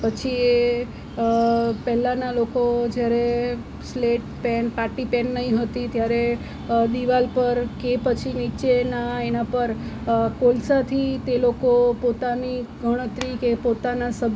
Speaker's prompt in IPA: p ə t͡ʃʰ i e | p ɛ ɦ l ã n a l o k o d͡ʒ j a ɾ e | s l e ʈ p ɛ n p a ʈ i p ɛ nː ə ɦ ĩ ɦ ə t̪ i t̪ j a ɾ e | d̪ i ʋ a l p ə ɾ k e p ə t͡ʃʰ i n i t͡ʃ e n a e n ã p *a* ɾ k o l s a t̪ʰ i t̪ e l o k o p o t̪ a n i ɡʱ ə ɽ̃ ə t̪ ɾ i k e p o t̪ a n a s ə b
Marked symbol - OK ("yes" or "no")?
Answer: no